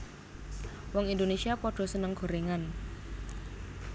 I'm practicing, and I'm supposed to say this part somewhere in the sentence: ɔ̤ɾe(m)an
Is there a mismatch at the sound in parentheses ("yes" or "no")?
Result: yes